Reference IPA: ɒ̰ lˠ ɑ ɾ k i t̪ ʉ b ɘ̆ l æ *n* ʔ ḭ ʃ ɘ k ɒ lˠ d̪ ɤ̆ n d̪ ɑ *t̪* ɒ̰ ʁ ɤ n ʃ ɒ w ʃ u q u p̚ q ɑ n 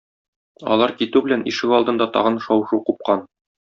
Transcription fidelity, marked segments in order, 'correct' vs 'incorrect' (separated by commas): correct, correct